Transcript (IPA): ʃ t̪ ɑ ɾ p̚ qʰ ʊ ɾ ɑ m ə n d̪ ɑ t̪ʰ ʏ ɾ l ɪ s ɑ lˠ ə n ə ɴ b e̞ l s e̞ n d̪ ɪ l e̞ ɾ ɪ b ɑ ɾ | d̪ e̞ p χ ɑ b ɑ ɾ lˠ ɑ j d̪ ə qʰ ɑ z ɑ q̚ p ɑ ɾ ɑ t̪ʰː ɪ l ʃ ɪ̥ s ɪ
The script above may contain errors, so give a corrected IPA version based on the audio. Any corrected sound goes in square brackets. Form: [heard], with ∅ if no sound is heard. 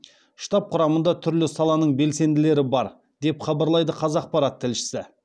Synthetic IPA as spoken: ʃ t̪ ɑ [∅] p̚ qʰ ʊ ɾ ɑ m ə n d̪ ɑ t̪ʰ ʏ ɾ l ɪ s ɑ lˠ [ɑ] n ə ɴ b e̞ l s e̞ n d̪ ɪ l e̞ ɾ ɪ b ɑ ɾ | d̪ e̞ p χ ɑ b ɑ ɾ lˠ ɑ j d̪ ə qʰ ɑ z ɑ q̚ p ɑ ɾ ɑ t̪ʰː ɪ l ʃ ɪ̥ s ɪ